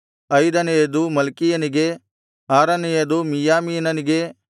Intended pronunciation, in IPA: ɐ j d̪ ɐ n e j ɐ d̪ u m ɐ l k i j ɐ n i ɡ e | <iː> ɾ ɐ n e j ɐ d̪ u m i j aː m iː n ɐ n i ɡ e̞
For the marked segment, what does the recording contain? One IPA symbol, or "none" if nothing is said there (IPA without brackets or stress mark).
aː